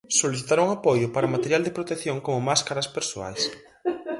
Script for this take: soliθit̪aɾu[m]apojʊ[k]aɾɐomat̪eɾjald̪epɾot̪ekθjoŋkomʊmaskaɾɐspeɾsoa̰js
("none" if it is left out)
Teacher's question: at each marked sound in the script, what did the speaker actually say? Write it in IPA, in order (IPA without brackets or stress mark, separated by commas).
ŋ, p